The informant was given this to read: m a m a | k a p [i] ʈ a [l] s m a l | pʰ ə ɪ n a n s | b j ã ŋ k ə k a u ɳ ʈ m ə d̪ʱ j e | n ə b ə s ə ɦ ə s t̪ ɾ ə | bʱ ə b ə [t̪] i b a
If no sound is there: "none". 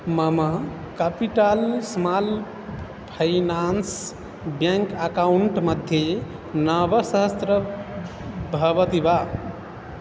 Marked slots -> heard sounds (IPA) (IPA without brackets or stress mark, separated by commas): i, l, t̪